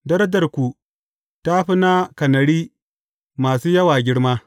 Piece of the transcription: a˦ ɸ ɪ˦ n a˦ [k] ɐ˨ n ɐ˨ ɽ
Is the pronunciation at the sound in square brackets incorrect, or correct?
correct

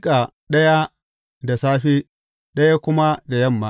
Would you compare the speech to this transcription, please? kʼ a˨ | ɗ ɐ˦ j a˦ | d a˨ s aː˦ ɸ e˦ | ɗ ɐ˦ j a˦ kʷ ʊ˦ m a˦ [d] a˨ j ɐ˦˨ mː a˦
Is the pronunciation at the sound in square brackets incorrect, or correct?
correct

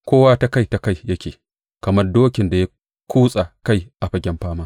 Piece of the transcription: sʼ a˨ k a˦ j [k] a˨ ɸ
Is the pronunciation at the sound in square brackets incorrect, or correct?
incorrect: ʔ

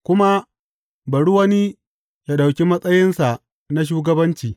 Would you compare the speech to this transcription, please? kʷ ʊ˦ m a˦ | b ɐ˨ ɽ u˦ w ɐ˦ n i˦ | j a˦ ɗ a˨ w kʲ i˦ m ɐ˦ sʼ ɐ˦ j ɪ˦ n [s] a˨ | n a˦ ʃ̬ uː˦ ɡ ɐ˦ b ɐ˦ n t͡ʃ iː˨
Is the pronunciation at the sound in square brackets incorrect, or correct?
correct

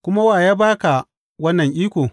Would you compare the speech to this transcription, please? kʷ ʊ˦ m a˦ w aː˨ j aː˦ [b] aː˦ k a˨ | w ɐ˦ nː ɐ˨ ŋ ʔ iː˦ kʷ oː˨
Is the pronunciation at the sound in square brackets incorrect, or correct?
correct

